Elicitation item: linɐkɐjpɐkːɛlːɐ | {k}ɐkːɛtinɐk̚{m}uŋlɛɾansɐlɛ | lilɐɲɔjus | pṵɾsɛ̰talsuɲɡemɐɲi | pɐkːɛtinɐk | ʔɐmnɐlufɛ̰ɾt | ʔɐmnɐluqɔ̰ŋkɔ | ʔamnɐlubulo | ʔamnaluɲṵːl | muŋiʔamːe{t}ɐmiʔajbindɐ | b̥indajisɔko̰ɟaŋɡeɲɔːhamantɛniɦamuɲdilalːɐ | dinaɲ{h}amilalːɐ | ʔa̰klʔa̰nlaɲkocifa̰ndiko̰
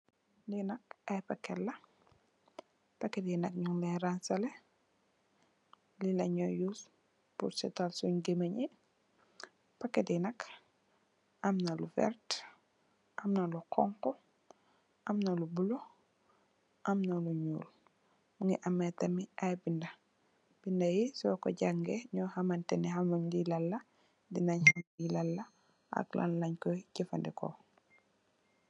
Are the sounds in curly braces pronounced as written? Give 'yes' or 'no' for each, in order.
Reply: no, no, yes, yes

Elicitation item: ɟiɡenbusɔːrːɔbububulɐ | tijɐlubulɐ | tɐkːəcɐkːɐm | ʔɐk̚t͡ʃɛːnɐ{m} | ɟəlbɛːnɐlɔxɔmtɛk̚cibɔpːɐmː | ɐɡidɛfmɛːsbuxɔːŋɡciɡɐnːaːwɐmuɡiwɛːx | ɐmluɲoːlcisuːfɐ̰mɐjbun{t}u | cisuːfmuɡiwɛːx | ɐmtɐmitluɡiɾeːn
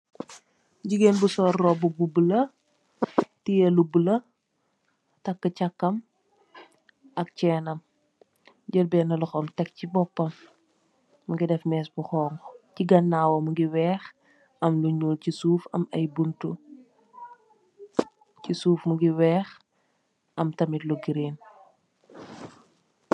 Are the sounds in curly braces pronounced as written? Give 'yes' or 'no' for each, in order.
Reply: yes, yes

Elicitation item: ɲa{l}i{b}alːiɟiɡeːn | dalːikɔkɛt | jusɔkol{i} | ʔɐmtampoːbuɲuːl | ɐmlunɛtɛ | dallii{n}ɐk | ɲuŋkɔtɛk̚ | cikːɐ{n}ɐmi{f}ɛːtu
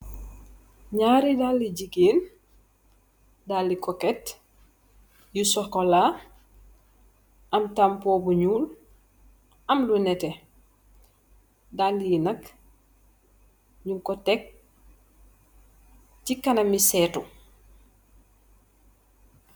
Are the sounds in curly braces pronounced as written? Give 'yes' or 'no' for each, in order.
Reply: no, no, no, yes, yes, no

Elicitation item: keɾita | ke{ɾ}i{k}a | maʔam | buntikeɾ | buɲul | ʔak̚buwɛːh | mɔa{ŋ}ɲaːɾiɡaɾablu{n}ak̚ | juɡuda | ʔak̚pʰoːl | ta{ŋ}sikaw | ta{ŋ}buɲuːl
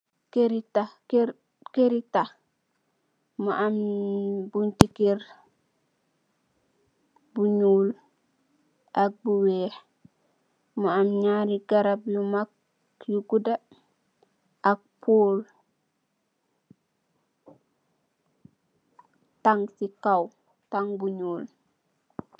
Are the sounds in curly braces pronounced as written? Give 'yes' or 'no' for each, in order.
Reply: yes, no, no, no, yes, yes

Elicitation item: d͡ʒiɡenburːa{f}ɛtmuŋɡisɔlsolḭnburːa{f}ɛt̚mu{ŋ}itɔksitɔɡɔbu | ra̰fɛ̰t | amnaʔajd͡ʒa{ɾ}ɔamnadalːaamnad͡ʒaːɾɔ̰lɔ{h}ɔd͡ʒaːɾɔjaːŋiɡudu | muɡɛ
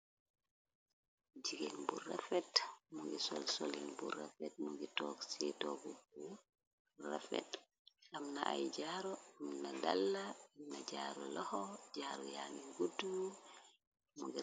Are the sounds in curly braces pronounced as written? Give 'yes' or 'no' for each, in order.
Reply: yes, yes, no, yes, yes

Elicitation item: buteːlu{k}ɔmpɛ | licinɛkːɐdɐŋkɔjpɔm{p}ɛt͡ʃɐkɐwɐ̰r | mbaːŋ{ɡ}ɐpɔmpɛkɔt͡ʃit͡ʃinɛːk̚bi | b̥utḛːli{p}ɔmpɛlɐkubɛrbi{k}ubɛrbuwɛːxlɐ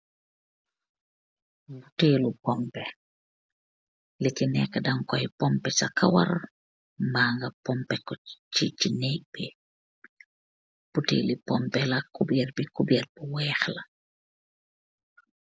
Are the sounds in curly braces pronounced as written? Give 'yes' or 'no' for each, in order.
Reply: no, yes, yes, yes, yes

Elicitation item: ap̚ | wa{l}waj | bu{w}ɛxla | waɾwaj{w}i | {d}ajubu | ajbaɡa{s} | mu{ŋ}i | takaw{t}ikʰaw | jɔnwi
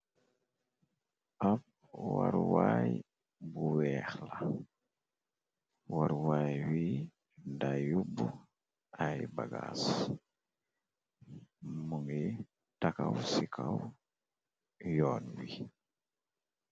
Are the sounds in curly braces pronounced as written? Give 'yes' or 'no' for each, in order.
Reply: no, yes, yes, yes, yes, yes, no

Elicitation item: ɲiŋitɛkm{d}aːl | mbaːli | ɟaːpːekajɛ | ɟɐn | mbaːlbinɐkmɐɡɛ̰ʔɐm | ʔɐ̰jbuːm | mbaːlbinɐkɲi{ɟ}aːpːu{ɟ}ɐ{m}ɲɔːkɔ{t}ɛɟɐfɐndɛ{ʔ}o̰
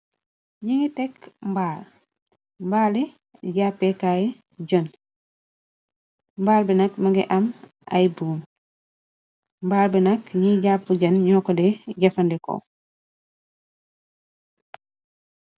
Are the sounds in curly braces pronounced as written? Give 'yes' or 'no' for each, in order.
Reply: no, yes, yes, no, no, no

